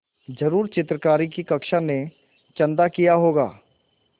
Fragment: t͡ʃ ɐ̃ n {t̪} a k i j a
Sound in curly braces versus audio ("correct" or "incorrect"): incorrect